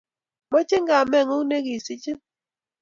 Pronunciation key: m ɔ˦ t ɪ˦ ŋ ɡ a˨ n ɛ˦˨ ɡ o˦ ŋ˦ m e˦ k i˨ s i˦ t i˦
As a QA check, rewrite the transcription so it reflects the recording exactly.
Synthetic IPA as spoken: m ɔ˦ t͡ʃ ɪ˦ ŋ ɡ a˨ m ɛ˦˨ ŋ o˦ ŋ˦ n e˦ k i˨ s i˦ t͡ʃ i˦